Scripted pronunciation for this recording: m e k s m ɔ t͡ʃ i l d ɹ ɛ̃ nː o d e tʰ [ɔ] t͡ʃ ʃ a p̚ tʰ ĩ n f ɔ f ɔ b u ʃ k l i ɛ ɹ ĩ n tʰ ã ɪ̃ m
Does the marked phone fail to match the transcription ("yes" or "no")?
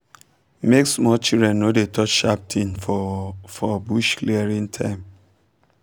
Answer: no